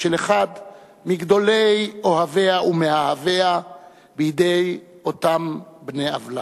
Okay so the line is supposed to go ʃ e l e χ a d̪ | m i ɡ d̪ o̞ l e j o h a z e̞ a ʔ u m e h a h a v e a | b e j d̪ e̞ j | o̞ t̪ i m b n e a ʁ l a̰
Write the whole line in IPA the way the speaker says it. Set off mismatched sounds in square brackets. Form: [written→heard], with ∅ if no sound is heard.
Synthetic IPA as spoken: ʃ e l e χ a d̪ | m i ɡ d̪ o̞ l e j o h a [z→v] e̞ a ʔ u m e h a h a v e a | b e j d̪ e̞ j | o̞ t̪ [i→a] m b n e a [ʁ→v] l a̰